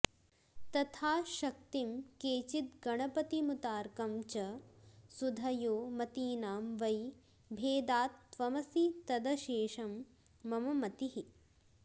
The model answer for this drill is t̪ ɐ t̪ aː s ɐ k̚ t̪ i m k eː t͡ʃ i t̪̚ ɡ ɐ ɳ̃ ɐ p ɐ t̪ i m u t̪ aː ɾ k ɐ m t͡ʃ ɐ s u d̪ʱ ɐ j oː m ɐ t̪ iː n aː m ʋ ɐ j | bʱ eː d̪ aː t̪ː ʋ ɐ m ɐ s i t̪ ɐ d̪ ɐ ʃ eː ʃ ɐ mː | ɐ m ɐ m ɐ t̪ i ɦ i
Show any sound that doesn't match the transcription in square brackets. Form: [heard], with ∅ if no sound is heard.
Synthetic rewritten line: t̪ ɐ [t̪ʰ] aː [ʃ] ɐ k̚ t̪ i m k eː t͡ʃ i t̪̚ ɡ ɐ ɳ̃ ɐ p ɐ t̪ i m u t̪ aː ɾ k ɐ m t͡ʃ ɐ s u d̪ʱ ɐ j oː m ɐ t̪ iː n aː m ʋ ɐ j | bʱ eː d̪ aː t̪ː ʋ ɐ m ɐ s i t̪ ɐ d̪ ɐ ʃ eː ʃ ɐ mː | ɐ m ɐ m ɐ t̪ i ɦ i

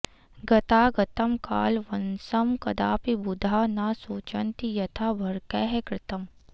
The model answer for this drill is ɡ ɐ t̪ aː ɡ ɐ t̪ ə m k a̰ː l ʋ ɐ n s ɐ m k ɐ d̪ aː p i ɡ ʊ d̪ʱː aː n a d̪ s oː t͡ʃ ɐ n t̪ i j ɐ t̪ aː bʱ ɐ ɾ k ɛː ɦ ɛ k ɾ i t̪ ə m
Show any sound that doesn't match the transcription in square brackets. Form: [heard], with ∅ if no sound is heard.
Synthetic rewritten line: ɡ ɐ t̪ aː ɡ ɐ t̪ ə m k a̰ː l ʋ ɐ n s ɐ m k ɐ d̪ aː p i [b] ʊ [d̪ʱ] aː n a [∅] s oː t͡ʃ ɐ n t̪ i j ɐ [t̪ʰ] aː bʱ ɐ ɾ k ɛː ɦ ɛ k ɾ [ɪ] t̪ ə m

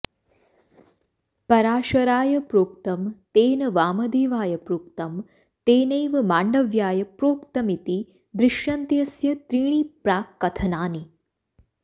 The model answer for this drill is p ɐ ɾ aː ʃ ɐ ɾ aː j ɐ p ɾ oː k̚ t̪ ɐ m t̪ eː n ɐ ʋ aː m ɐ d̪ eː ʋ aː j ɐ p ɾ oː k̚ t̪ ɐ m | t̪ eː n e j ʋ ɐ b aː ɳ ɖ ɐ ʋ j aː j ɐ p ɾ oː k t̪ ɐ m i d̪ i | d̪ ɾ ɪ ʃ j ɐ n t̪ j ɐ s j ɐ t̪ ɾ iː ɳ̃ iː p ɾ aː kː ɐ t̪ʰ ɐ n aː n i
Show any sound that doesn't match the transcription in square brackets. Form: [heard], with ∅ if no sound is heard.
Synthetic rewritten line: p ɐ ɾ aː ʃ ɐ ɾ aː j ɐ p ɾ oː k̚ t̪ ɐ m t̪ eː n ɐ ʋ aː m ɐ d̪ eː ʋ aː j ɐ p ɾ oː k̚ t̪ ɐ m | t̪ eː n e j ʋ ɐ [m] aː ɳ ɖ ɐ ʋ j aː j ɐ p ɾ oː k t̪ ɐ m i [t̪] i | d̪ ɾ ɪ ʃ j ɐ n t̪ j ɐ s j ɐ t̪ ɾ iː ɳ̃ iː p ɾ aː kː ɐ t̪ʰ ɐ n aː n i

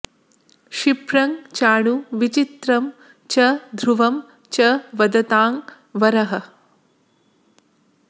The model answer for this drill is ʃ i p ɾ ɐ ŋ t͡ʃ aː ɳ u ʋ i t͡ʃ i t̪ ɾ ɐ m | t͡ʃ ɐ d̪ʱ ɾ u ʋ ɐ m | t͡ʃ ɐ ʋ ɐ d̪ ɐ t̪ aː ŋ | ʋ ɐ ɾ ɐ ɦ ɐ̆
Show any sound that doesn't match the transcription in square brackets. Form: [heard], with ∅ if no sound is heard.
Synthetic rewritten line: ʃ i p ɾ ɐ ŋ t͡ʃ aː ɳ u ʋ i t͡ʃ i t̪ ɾ ɐ m | t͡ʃ ɐ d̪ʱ ɾ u ʋ ɐ m | t͡ʃ ɐ ʋ ɐ d̪ ɐ t̪ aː ŋ | ʋ ɐ ɾ ɐ ɦ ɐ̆

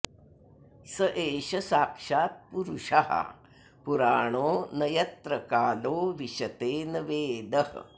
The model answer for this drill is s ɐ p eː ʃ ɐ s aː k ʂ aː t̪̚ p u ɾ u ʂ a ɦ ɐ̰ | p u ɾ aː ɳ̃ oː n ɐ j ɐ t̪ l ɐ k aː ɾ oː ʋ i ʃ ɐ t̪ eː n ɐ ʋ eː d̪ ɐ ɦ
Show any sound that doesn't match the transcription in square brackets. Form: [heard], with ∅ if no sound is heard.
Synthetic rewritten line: s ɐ [ʔ] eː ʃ ɐ s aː k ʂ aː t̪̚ p u ɾ u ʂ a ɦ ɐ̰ | p u ɾ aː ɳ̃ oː n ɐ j ɐ t̪ [ɾ] ɐ k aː [l] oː ʋ i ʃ ɐ t̪ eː n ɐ ʋ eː d̪ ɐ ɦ

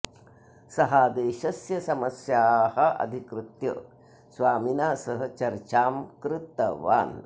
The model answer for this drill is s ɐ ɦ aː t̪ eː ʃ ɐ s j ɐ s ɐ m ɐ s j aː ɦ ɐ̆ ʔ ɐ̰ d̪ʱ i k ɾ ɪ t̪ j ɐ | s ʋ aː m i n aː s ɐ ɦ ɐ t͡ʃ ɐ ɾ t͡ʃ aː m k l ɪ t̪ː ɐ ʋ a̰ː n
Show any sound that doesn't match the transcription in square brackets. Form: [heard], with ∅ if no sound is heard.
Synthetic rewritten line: s ɐ ɦ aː [d̪] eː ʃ ɐ s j ɐ s ɐ m ɐ s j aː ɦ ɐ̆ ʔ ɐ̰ d̪ʱ i k ɾ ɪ t̪ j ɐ | s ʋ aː m i n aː s ɐ ɦ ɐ t͡ʃ ɐ ɾ t͡ʃ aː m k [ɾ] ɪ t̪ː ɐ ʋ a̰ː n

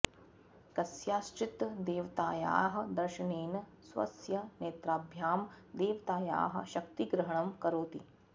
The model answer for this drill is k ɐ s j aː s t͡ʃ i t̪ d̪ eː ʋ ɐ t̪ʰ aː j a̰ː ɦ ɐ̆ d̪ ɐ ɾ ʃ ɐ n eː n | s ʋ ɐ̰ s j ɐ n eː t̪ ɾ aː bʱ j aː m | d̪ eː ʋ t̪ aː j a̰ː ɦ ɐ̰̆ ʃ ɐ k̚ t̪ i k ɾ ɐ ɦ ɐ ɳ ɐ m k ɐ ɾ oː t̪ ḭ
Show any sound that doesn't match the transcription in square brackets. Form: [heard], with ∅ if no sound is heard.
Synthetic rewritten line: k ɐ s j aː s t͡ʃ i t̪ d̪ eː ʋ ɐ [t̪] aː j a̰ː ɦ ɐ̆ d̪ ɐ ɾ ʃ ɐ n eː n | s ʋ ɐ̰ s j ɐ n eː t̪ ɾ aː bʱ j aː m | d̪ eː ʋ t̪ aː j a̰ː ɦ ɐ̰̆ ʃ ɐ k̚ t̪ i [ɡ] ɾ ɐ ɦ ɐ ɳ ɐ m k ɐ ɾ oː t̪ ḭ

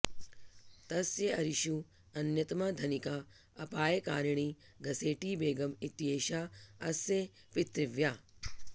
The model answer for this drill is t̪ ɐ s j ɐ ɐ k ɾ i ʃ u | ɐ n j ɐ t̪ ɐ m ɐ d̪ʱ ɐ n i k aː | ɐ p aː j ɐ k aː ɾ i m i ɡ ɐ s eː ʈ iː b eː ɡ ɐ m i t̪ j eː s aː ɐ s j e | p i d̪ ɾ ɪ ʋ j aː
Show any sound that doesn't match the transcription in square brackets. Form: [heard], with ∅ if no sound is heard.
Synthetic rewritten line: t̪ ɐ s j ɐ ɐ [∅] ɾ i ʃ u | ɐ n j ɐ t̪ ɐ m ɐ d̪ʱ ɐ n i k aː | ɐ p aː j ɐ k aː ɾ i [ɳ] i ɡ ɐ s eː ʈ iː b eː ɡ ɐ m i t̪ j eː [ʃ] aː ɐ s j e | p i [t̪] ɾ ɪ ʋ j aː

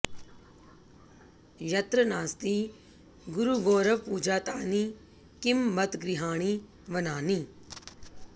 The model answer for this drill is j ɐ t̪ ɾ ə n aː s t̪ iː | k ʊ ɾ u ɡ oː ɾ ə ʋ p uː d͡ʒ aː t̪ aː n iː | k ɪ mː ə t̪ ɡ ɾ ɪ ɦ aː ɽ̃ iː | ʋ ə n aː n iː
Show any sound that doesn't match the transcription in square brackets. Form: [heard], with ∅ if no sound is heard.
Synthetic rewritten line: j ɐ t̪ ɾ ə n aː s t̪ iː | [ɡ] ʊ ɾ u ɡ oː ɾ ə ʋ p uː d͡ʒ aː t̪ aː n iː | k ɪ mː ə t̪ ɡ ɾ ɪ ɦ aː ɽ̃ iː | ʋ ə n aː n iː

